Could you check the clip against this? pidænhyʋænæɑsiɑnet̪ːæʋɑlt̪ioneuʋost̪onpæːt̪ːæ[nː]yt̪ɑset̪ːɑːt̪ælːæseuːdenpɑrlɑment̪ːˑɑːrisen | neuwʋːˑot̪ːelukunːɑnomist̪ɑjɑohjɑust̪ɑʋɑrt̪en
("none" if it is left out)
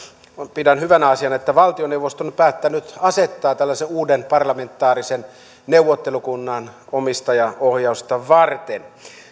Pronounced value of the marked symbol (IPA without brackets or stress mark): n